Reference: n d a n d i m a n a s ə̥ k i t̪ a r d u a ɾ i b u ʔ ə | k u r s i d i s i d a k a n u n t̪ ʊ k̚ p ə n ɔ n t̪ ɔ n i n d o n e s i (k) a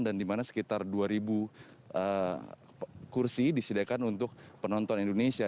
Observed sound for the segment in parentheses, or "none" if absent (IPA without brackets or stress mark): none